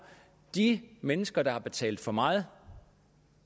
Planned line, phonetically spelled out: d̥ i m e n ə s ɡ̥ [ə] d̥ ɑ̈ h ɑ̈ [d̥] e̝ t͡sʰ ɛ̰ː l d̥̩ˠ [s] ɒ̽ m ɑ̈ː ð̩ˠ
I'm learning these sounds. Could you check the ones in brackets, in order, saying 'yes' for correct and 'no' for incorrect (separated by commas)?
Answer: no, no, no